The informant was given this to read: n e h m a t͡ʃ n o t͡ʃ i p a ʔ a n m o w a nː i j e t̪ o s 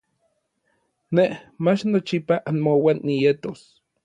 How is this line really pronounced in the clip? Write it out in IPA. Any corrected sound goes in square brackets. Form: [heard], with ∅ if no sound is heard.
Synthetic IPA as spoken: n e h m a t͡ʃ n o t͡ʃ i p a ʔ a n m o w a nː i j e t̪ o s